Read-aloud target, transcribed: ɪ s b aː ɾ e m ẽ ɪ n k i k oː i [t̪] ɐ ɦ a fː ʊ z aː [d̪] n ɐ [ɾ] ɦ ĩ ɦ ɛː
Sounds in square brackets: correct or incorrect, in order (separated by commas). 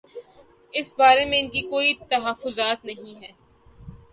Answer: correct, incorrect, incorrect